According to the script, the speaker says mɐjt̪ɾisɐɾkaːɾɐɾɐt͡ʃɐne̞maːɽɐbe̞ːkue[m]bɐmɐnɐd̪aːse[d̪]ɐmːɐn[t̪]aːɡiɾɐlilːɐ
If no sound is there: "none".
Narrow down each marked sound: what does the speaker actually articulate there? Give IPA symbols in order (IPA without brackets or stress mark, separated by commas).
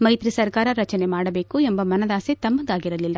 m, t̪, d̪